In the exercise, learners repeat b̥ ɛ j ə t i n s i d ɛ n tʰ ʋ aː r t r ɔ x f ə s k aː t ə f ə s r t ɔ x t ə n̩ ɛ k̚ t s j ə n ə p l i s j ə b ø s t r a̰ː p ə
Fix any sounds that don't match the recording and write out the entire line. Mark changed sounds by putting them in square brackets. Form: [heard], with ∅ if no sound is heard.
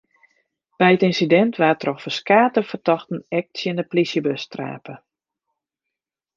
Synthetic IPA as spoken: b̥ ɛ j ə t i n s i d ɛ n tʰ ʋ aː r t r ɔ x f ə s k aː t ə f ə [∅] r t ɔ x t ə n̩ ɛ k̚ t s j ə n ə p l i s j ə b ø s t r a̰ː p ə